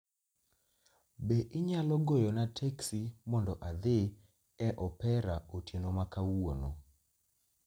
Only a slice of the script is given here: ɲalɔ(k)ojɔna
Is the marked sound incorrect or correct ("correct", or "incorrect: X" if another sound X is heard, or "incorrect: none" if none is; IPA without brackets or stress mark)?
incorrect: ɡ